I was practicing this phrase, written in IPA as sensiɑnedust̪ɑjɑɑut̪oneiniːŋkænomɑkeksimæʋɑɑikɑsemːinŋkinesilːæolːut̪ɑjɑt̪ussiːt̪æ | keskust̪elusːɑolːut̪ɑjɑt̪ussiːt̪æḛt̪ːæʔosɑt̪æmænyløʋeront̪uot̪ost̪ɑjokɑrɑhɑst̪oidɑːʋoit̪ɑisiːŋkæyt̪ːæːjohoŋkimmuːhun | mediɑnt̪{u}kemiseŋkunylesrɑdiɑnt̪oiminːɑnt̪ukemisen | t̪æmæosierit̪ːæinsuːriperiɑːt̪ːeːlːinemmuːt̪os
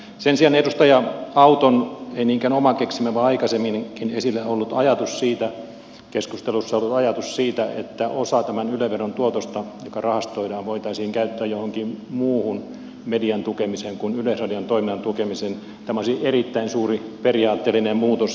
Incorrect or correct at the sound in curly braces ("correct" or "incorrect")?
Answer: correct